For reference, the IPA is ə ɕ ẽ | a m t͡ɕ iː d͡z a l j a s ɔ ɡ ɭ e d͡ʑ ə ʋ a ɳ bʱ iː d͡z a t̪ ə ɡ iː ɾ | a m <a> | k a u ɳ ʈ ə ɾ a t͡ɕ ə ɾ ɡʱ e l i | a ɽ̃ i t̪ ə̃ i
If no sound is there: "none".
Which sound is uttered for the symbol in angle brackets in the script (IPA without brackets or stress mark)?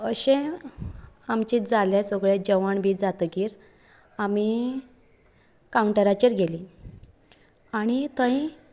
i